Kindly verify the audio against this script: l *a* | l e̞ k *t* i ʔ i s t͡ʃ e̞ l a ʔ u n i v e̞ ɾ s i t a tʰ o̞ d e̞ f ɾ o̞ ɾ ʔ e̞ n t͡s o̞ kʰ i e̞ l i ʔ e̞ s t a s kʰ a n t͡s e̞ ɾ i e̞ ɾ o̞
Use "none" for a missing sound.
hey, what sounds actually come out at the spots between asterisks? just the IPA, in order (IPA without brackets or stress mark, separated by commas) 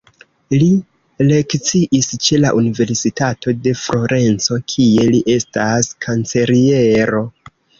i, t͡s